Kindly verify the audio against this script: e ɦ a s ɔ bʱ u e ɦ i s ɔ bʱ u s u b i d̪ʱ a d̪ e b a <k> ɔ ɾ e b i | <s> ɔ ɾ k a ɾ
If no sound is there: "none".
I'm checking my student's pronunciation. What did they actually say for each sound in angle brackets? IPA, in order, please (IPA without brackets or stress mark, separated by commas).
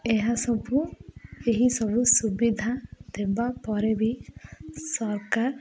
p, s